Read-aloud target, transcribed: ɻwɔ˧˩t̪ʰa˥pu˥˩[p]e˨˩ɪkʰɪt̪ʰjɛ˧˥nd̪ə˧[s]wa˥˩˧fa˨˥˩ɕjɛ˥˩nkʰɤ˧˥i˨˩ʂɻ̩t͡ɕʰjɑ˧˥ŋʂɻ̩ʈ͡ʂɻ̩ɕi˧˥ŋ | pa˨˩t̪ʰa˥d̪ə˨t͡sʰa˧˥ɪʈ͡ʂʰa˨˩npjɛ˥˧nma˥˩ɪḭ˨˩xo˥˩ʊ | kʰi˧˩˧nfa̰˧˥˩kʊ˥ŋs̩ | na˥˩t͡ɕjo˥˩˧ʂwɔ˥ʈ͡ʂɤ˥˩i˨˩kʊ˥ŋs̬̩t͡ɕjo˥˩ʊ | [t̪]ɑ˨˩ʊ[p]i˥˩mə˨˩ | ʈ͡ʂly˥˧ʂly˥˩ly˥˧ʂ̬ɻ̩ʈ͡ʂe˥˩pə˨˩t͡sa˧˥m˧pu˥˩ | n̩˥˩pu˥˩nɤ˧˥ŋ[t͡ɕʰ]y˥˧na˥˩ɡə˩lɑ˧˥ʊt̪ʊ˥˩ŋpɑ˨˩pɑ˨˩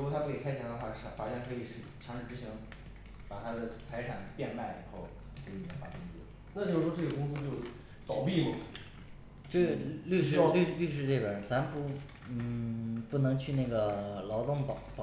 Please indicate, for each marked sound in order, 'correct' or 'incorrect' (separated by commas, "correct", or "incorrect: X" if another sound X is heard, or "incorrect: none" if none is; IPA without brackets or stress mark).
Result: incorrect: k, incorrect: x, correct, correct, correct